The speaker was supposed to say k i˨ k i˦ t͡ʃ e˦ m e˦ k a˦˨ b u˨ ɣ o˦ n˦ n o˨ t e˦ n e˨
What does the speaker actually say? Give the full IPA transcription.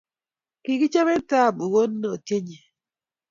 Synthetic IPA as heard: k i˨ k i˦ t͡ʃ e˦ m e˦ t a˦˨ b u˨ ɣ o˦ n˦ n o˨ t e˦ ɲ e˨